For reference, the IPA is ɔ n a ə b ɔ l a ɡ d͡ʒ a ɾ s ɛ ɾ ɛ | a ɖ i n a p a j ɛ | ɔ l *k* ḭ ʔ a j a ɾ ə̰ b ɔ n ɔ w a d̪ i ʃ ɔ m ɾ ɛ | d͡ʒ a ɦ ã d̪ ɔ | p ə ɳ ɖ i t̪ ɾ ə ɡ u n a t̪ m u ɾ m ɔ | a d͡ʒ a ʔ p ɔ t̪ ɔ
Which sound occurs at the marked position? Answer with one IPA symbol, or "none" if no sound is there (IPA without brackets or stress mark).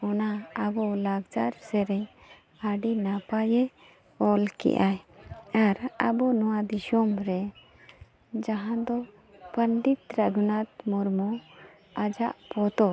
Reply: k